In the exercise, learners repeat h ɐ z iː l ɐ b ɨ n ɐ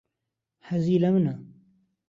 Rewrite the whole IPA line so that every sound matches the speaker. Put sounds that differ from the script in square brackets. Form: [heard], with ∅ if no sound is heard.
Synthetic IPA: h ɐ z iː l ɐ [m] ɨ n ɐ